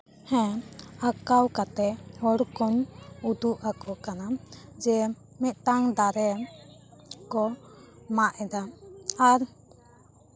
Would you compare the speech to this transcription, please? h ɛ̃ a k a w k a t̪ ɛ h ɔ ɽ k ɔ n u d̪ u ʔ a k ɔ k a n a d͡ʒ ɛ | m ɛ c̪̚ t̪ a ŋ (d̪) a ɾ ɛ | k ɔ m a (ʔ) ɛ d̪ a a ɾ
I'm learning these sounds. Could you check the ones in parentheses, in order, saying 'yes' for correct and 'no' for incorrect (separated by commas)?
yes, yes